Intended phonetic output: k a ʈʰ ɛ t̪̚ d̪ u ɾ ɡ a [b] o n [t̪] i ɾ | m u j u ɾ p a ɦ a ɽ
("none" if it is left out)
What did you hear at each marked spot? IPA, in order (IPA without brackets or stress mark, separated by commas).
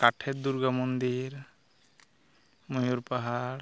m, d̪